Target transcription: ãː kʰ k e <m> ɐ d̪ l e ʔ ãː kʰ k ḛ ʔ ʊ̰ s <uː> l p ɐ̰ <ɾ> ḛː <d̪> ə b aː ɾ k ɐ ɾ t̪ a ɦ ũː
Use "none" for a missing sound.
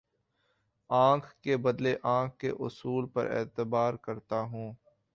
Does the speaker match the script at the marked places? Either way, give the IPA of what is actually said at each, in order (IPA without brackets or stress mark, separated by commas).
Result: b, uː, ɾ, t̪